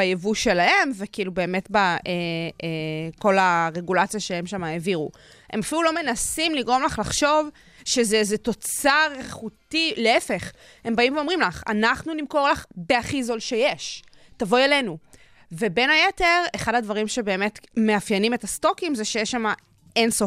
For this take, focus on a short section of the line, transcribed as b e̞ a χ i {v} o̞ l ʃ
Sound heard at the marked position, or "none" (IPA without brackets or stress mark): z